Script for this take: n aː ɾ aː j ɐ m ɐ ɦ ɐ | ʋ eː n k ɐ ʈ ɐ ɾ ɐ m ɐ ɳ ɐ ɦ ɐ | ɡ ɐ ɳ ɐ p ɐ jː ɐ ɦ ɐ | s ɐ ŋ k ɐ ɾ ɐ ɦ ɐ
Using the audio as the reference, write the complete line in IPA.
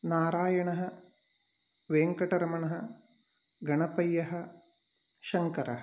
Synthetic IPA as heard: n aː ɾ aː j ɐ ɳ ɐ ɦ ɐ | ʋ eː ŋ k ɐ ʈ ɐ ɾ ɐ m ɐ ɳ ɐ ɦ ɐ | ɡ ɐ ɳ ɐ p ɐ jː ɐ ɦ ɐ | ʃ ɐ ŋ k ɐ ɾ ɐ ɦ ɐ